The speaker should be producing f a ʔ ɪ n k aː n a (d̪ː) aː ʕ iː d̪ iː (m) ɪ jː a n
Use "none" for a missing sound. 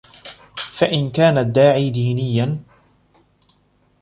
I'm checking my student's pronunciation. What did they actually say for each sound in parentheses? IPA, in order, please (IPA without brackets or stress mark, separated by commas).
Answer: d̪ː, n